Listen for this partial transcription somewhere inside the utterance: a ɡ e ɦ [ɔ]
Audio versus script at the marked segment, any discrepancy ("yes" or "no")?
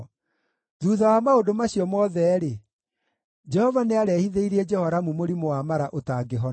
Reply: no